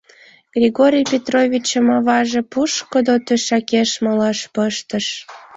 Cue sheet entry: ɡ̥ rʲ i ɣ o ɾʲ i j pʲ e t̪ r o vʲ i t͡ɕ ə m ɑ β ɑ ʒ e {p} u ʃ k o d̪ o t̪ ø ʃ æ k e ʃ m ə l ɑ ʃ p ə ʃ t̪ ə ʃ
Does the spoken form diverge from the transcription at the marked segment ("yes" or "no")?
no